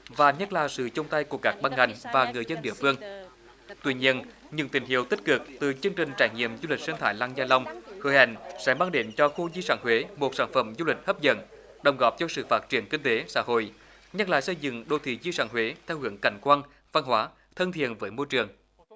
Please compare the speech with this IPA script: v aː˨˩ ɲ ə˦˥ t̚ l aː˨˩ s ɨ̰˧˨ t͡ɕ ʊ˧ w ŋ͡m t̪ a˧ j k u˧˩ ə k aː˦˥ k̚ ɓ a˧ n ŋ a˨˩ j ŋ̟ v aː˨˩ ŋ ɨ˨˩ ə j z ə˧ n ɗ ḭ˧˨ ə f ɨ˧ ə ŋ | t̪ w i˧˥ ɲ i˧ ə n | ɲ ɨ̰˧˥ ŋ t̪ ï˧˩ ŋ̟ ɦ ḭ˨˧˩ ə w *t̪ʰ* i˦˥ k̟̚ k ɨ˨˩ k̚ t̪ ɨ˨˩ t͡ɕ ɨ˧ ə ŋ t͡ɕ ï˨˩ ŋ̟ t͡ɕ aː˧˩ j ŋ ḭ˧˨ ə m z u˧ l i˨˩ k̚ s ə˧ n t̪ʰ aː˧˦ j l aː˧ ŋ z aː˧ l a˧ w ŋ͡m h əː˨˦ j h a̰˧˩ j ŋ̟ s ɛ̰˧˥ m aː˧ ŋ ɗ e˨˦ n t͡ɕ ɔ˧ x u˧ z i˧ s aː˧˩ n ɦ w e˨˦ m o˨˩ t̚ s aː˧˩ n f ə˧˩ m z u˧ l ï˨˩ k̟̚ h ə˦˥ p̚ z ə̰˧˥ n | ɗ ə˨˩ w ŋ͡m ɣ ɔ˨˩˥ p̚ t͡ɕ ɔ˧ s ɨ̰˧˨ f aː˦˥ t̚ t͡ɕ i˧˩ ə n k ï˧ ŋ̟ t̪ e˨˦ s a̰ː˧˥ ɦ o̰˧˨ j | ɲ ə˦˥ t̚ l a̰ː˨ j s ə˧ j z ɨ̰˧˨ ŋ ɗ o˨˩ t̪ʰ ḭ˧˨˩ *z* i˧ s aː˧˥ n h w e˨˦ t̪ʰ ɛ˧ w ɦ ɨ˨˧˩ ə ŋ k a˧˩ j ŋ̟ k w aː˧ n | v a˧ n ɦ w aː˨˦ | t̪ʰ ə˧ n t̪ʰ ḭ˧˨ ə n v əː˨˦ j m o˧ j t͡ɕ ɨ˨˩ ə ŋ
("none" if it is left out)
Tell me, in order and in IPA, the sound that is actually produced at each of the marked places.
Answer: t̪, z

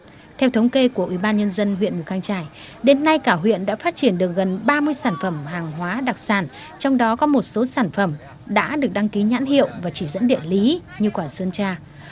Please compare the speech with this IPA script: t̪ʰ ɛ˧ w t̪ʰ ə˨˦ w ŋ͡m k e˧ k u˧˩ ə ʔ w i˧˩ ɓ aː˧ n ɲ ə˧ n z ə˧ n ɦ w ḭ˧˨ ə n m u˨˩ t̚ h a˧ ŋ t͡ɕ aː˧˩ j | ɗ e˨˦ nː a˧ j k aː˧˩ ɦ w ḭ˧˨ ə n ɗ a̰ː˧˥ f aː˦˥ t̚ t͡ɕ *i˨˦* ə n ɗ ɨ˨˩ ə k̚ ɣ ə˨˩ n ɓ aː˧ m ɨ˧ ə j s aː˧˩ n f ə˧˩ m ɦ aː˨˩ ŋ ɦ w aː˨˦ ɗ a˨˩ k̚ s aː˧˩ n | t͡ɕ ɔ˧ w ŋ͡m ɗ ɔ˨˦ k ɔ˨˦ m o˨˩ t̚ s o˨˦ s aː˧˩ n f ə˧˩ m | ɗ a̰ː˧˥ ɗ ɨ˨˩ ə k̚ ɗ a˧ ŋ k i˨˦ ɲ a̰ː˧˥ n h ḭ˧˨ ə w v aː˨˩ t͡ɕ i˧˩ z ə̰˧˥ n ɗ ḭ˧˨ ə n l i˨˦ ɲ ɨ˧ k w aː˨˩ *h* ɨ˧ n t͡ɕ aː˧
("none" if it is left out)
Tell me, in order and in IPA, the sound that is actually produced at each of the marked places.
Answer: i˧˩, s

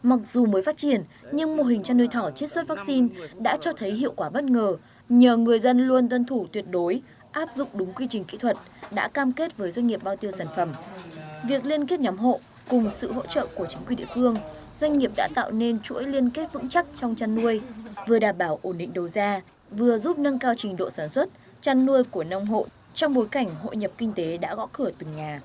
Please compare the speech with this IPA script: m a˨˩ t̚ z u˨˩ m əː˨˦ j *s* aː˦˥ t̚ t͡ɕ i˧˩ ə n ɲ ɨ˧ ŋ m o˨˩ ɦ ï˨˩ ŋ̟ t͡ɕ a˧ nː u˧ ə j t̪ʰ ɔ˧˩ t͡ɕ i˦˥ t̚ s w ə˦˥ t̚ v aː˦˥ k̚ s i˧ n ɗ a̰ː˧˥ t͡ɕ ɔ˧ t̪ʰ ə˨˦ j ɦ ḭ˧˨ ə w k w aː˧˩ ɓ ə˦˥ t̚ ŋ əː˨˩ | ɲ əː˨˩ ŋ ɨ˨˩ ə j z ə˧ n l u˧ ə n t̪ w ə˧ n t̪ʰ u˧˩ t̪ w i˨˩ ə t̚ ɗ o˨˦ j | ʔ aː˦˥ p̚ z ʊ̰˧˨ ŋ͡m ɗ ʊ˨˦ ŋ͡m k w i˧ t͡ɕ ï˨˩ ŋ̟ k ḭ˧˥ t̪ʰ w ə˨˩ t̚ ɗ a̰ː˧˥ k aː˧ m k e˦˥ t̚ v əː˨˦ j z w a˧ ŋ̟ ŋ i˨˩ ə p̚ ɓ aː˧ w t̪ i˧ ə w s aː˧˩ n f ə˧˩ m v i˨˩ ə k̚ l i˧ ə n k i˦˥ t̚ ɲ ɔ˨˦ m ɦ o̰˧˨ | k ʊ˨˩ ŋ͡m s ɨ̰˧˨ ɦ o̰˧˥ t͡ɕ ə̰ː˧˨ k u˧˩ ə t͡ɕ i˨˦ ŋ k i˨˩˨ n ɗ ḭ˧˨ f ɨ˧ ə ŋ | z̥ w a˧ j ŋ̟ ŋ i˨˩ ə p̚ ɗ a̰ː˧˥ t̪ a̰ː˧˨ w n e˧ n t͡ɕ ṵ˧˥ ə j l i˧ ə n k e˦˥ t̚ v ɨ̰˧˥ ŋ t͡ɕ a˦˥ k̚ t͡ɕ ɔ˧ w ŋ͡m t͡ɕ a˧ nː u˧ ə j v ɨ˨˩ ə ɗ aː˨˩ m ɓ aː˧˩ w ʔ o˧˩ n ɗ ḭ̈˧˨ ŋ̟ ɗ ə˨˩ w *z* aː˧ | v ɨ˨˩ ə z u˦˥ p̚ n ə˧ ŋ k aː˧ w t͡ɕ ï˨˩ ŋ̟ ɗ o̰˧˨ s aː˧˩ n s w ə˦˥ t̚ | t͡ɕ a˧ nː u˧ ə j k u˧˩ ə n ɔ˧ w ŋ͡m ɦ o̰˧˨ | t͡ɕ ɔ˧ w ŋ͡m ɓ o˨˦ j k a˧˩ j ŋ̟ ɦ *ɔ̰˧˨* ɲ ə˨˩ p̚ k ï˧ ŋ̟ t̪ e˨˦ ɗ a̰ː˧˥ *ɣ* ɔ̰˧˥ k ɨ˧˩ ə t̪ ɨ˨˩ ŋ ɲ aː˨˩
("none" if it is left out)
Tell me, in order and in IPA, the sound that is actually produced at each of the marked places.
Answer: f, z, o̰˧˨, ɣ

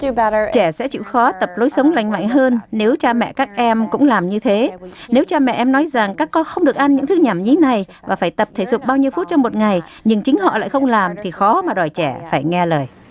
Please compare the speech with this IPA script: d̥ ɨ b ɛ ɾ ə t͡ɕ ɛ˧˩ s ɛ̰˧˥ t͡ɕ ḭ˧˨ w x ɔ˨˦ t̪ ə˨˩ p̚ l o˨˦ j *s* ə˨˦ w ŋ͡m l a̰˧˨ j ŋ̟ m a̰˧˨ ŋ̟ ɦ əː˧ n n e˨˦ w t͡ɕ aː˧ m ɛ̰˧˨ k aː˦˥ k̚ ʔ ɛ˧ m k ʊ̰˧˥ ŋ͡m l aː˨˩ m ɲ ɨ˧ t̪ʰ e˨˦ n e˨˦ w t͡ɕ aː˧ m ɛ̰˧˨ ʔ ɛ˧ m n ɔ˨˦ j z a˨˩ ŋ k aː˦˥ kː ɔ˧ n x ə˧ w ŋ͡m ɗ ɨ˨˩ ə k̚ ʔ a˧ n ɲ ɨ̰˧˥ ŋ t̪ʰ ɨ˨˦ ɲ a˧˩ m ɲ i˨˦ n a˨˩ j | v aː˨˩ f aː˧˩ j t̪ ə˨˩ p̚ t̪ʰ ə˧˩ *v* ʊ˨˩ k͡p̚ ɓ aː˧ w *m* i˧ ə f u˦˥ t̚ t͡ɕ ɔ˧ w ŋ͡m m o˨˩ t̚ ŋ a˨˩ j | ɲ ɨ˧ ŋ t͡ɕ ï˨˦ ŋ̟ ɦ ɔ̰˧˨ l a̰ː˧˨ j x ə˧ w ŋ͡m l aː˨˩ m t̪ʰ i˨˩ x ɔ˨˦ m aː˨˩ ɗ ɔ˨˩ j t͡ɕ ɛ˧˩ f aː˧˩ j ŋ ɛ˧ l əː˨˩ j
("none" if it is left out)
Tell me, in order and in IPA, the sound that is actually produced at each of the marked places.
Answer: s, z, ɲ

